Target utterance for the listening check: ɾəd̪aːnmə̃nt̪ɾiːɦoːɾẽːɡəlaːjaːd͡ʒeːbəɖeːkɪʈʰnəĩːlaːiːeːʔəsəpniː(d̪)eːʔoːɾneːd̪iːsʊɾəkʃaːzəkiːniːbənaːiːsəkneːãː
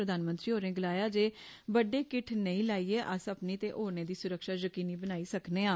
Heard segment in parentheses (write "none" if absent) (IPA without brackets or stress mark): t̪